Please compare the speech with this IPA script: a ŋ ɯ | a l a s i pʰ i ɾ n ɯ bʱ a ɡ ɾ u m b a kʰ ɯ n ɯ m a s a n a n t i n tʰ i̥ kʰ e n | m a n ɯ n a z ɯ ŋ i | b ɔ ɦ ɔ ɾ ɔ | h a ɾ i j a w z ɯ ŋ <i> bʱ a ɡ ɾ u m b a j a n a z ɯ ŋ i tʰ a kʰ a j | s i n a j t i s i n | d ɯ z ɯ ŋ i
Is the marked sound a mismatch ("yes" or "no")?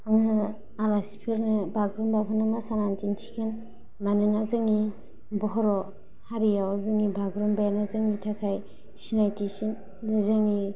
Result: no